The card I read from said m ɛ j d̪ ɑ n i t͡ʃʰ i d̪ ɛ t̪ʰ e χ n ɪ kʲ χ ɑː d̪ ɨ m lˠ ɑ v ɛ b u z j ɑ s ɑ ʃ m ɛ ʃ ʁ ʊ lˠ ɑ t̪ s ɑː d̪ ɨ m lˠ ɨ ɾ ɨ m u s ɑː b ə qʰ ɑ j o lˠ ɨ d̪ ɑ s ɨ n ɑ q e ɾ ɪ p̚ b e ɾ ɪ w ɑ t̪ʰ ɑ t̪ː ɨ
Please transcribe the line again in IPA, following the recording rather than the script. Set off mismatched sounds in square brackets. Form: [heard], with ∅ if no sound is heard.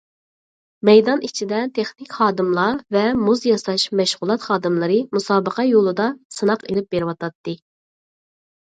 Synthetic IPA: m ɛ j d̪ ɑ n i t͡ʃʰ i d̪ ɛ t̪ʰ e χ n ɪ kʲ χ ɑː d̪ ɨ m lˠ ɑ v ɛ [m] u z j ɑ s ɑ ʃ m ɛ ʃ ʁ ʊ lˠ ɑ t̪ [χ] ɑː d̪ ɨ m lˠ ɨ ɾ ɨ m u s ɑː b ə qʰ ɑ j o lˠ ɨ d̪ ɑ s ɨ n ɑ q e [l] ɪ p̚ b e ɾ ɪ w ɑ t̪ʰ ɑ t̪ː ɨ

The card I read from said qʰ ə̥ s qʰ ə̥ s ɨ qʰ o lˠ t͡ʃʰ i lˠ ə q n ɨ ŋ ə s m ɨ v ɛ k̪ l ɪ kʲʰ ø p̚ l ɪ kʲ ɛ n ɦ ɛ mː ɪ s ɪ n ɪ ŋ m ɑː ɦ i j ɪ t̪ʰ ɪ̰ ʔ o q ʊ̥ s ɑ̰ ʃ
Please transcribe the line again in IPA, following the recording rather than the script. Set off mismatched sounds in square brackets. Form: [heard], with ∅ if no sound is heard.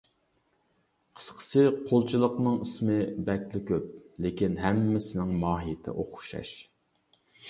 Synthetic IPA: qʰ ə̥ s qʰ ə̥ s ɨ qʰ o lˠ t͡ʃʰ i lˠ ə q n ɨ ŋ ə s m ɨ [b] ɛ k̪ l ɪ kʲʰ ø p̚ l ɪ kʲ [i] n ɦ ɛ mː ɪ s ɪ n ɪ ŋ m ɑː ɦ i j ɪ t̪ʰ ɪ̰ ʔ o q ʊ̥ [ʃ] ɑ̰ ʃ

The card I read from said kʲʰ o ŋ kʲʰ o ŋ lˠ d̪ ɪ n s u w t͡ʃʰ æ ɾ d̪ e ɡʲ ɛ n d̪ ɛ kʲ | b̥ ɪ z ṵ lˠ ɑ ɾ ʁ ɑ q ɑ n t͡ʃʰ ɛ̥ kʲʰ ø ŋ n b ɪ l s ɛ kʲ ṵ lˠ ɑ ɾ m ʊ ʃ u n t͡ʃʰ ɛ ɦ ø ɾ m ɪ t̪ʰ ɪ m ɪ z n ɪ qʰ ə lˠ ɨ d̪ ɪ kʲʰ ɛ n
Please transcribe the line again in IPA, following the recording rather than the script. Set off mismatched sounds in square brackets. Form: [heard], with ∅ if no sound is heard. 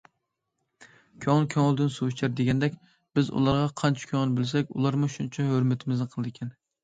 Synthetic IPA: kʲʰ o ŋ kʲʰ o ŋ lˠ d̪ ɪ n s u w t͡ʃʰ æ ɾ d̪ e ɡʲ ɛ n d̪ ɛ kʲ | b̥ ɪ z ṵ lˠ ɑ ɾ ʁ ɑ [qʰ] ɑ n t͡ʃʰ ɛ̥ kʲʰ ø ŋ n b ɪ l s ɛ kʲ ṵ lˠ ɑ ɾ m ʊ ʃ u n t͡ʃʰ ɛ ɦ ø ɾ m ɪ t̪ʰ ɪ m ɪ z n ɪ qʰ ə lˠ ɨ d̪ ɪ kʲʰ ɛ n

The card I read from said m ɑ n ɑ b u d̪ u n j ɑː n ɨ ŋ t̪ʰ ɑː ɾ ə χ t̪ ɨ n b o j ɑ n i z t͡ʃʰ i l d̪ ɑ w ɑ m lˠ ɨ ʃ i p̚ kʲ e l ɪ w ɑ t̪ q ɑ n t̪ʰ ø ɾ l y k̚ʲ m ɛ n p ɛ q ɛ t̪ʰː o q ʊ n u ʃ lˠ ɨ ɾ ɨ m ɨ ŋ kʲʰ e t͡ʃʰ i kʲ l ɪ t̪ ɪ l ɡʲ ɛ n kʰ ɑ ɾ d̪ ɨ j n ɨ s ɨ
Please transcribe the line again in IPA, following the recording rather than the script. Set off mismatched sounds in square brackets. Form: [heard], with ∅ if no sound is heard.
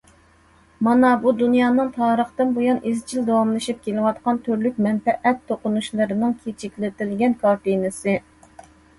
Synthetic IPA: m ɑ n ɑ b u d̪ u n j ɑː n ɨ ŋ t̪ʰ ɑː ɾ ə χ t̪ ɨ n b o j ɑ n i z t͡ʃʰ i l d̪ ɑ w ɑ m lˠ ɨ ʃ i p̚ kʲ e l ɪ w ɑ t̪ q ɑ n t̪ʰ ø ɾ l y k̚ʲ m ɛ n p ɛ [ʔ] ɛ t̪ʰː o q ʊ n u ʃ lˠ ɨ ɾ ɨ [n] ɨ ŋ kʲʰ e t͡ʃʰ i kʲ l ɪ t̪ ɪ l ɡʲ ɛ n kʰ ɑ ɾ [t̪] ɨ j n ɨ s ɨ

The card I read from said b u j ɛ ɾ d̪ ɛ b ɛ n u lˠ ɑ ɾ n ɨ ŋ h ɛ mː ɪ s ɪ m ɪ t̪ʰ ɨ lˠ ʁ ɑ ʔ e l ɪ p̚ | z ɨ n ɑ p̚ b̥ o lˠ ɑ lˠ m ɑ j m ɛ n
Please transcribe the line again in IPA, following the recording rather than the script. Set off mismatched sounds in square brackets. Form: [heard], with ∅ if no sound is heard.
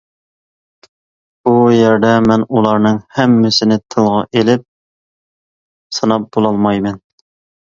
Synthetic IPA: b u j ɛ ɾ d̪ ɛ [m] ɛ n u lˠ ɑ ɾ n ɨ ŋ h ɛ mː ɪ s ɪ [n] ɪ t̪ʰ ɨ lˠ ʁ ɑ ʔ e l ɪ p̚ | [s] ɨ n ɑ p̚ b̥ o lˠ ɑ lˠ m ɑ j m ɛ n

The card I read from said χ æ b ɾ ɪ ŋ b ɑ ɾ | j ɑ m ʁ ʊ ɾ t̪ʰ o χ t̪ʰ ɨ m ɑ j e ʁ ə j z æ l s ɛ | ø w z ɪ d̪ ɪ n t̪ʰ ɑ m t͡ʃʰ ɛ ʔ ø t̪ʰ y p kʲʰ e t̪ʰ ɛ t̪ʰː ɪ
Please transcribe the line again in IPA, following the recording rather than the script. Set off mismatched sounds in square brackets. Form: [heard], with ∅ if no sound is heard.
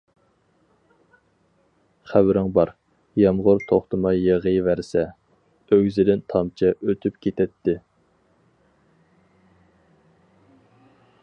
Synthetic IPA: χ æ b ɾ ɪ ŋ b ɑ ɾ | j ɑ m ʁ ʊ ɾ t̪ʰ o χ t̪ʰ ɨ m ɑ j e ʁ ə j [v] æ [ɾ] s ɛ | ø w z ɪ d̪ ɪ n t̪ʰ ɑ m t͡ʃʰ ɛ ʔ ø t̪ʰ y p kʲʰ e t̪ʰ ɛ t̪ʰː ɪ

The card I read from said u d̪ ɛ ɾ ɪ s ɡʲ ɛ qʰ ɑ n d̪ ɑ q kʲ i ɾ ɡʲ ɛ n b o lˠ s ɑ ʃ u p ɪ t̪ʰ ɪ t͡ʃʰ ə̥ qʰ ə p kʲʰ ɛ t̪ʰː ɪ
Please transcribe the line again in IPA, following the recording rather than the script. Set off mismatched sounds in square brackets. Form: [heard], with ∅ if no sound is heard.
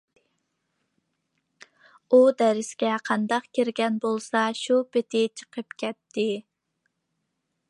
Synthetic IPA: u d̪ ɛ ɾ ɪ s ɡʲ ɛ qʰ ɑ n d̪ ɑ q kʲ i ɾ ɡʲ ɛ n b o lˠ s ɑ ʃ u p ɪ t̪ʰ ɪ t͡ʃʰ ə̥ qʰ ə p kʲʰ ɛ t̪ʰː ɪ

